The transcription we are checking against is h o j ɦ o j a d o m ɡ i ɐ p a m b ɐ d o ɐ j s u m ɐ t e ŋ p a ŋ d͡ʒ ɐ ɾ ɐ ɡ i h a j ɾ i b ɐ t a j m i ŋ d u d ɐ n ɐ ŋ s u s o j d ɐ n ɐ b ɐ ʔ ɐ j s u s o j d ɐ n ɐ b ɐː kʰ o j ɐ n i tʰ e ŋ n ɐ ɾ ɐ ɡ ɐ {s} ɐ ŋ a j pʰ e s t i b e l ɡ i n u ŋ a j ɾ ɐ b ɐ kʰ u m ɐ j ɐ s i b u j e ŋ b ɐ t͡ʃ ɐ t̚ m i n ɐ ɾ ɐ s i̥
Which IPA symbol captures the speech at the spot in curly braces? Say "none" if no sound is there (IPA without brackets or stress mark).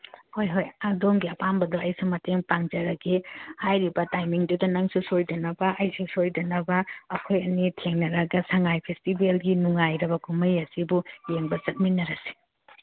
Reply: s